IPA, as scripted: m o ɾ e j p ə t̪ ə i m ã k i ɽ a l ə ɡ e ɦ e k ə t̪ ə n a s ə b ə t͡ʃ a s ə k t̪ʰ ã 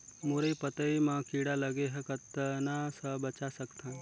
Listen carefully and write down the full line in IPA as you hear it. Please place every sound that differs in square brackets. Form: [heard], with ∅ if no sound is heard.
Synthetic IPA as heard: m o ɾ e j p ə t̪ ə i m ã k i ɽ a l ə ɡ e ɦ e k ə t̪ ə n a s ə b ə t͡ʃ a s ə k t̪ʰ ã